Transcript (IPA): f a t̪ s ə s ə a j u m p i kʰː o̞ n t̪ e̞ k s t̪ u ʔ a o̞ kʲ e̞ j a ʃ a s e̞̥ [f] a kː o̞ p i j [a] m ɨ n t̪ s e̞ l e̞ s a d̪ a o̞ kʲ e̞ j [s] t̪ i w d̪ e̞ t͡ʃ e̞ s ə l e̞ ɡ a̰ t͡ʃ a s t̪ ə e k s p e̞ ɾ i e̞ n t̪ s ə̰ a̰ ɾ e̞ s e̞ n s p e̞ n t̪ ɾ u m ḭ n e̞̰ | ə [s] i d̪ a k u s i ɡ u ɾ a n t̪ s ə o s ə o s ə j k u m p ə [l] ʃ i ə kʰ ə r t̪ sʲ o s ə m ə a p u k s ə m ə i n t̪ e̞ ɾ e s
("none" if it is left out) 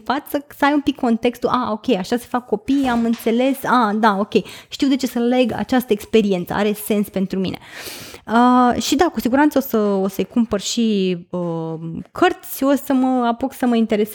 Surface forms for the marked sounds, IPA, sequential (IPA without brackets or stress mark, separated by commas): f, a, ʃ, ʃ, r